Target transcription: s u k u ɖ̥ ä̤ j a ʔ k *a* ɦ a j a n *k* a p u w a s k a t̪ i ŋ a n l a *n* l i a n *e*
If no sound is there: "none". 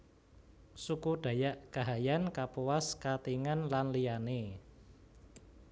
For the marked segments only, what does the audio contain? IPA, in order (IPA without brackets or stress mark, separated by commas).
a, k, n, e